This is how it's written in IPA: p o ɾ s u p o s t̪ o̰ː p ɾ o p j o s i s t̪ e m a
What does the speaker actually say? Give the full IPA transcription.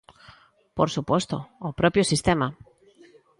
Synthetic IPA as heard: p o ɾ s u p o s t̪ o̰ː p ɾ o p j o s i s t̪ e m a